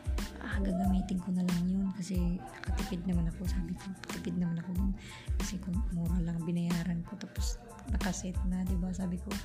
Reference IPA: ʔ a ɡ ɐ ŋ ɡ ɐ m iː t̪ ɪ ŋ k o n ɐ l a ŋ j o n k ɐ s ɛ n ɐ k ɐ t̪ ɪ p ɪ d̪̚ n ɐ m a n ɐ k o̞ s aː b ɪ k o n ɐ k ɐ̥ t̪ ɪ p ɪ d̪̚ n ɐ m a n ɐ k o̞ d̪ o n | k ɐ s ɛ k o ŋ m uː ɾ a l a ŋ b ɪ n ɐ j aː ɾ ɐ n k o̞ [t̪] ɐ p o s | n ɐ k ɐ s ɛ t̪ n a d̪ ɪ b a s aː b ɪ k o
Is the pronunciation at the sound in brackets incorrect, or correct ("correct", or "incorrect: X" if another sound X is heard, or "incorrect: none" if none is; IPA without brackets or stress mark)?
correct